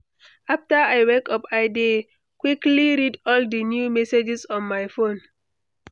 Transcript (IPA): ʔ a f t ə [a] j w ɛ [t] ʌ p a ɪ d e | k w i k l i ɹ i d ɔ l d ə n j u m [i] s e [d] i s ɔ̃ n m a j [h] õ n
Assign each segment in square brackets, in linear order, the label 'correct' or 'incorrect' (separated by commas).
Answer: correct, incorrect, incorrect, incorrect, incorrect